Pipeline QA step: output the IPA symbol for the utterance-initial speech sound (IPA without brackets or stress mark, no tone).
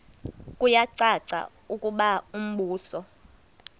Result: kʼ